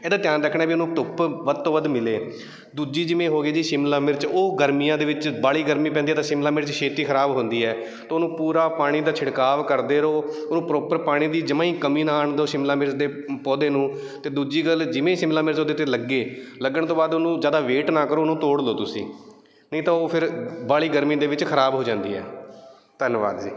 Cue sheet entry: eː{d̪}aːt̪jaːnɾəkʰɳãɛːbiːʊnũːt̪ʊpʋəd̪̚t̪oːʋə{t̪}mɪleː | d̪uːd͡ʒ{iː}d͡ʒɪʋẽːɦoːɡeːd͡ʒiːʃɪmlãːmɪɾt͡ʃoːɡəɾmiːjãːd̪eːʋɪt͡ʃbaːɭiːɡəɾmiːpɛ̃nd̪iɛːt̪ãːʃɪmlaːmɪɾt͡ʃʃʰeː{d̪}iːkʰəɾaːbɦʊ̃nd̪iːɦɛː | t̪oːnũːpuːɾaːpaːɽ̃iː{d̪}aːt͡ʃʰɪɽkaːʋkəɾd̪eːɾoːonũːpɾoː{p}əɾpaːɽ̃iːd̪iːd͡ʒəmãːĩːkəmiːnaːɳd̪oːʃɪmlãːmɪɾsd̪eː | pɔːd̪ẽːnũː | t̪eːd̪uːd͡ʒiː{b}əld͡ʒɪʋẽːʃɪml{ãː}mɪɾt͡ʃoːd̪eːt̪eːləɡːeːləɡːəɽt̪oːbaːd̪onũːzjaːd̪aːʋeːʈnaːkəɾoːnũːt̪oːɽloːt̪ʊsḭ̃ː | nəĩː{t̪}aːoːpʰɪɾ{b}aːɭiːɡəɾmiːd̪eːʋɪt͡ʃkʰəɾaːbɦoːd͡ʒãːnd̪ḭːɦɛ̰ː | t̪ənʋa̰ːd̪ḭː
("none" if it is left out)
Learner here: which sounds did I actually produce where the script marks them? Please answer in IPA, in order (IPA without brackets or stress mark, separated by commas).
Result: d̪, d̪, iː, t̪, d̪, p, ɡ, aː, t̪, b